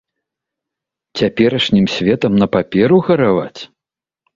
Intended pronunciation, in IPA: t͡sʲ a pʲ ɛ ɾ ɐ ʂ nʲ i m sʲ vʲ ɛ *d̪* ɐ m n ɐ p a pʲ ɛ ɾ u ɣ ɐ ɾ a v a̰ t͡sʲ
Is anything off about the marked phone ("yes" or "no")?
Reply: yes